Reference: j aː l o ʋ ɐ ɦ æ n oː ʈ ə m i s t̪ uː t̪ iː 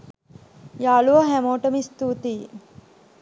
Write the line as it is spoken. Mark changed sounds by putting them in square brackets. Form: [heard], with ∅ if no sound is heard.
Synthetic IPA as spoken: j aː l [u] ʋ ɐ ɦ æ [m] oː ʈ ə m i s t̪ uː t̪ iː

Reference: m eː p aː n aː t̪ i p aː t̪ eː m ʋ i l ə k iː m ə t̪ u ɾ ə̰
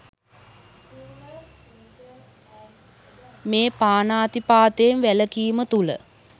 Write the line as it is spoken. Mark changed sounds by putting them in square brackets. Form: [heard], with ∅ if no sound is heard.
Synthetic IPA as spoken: m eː p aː n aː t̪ i p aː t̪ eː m ʋ [æ] l ə k iː m ə t̪ u [l] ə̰

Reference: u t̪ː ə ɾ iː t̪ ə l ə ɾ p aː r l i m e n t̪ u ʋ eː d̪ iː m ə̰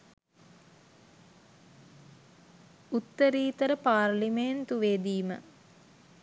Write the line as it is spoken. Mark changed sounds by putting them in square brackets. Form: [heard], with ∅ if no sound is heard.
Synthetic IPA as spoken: u t̪ː ə ɾ iː t̪ ə [ɾ] ə [∅] p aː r l i m e n t̪ u ʋ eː d̪ iː m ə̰

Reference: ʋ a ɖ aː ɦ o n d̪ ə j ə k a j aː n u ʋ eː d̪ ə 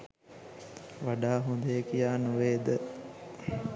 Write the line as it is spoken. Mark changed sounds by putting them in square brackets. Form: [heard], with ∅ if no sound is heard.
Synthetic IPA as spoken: ʋ a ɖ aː ɦ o n d̪ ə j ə k [i] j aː n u ʋ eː d̪ ə

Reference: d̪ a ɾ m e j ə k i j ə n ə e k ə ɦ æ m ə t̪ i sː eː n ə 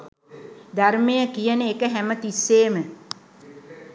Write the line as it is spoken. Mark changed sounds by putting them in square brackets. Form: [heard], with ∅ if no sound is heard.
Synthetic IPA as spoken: d̪ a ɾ m e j ə k i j ə n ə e k ə ɦ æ m ə t̪ i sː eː [m] ə

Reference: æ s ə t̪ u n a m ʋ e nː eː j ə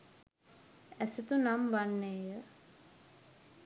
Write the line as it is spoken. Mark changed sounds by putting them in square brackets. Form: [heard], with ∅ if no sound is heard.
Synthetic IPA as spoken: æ s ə t̪ u n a m ʋ [a] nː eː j ə

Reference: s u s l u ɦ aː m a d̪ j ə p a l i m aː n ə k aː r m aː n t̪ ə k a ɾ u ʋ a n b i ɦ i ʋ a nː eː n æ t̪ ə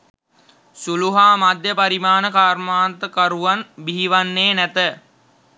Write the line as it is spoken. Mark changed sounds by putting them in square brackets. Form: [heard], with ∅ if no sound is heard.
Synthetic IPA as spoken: s u [∅] l u ɦ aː m a d̪ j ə p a [ɾ] i m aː n ə k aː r m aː n t̪ ə k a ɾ u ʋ a n b i ɦ i ʋ a nː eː n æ t̪ ə

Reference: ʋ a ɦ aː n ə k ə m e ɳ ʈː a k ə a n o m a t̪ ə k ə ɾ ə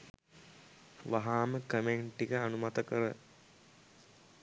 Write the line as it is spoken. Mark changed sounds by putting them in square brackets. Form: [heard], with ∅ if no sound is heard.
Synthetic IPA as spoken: ʋ a ɦ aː [m] ə k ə m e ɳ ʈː [i] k ə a n [u] m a t̪ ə k ə ɾ ə

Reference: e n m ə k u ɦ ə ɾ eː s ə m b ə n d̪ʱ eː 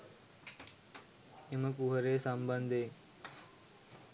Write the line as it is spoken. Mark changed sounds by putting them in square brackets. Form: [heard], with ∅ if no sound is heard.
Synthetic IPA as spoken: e [∅] m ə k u ɦ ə ɾ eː s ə m b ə n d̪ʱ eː

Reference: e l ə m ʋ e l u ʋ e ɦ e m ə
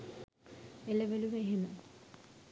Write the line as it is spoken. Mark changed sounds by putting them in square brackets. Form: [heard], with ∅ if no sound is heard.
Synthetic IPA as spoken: e l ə [∅] ʋ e l u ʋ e ɦ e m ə

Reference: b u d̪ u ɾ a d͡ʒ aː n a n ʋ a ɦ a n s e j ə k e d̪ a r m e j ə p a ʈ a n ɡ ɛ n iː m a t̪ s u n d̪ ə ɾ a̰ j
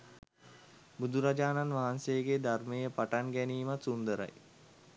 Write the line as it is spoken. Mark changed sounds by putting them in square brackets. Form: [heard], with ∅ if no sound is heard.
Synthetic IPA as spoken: b u d̪ u ɾ a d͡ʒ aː n a n ʋ a ɦ a n s e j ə [ɡ] e d̪ a r m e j ə p a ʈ a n ɡ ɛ n iː m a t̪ s u n d̪ ə ɾ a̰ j

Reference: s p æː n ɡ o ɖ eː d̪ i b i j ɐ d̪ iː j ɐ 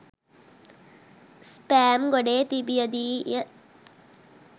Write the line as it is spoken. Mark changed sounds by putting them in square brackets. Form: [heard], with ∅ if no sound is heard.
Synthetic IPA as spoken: s p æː [m] ɡ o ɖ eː [t̪] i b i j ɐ d̪ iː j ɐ

